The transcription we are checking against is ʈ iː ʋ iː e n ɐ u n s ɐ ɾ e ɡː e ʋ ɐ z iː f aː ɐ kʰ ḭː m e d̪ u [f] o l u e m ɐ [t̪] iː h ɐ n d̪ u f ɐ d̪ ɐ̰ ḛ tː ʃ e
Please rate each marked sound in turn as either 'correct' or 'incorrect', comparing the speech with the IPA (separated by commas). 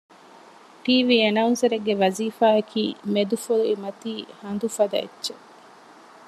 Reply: correct, correct